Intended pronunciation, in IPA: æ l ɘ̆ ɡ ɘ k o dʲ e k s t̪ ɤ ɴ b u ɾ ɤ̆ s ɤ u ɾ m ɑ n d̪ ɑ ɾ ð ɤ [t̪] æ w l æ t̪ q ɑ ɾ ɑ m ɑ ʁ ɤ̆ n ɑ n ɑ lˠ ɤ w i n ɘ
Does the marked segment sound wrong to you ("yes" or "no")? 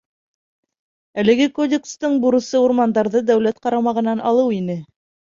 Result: yes